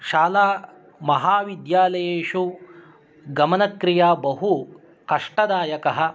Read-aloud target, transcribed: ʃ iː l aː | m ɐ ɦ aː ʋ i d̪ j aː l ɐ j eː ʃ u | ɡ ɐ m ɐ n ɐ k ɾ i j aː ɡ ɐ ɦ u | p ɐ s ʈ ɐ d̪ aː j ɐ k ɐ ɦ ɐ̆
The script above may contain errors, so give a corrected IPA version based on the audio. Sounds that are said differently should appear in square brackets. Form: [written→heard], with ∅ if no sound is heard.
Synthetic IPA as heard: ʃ [iː→aː] l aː | m ɐ ɦ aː ʋ i d̪ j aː l ɐ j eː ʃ u | ɡ ɐ m ɐ n ɐ k ɾ i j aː [ɡ→b] ɐ ɦ u | [p→k] ɐ [s→ʂ] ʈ ɐ d̪ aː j ɐ k ɐ ɦ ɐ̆